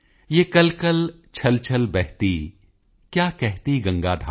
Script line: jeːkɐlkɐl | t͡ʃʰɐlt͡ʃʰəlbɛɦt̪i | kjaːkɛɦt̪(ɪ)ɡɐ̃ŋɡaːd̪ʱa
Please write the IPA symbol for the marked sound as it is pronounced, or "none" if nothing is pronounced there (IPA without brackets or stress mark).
i